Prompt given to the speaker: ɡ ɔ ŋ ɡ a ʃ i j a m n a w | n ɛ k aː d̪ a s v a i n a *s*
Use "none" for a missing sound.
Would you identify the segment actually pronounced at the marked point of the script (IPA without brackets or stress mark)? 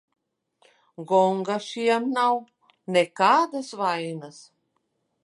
s